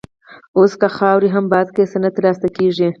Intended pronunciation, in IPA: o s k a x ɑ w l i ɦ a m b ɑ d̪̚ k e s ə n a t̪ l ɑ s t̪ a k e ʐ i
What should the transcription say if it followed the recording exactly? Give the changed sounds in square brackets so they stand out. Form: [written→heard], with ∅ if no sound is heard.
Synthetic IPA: o s k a x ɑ w [l→ɾ] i ɦ a m b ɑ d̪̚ k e s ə n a t̪ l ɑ s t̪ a k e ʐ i